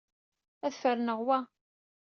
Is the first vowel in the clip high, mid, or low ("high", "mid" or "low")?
low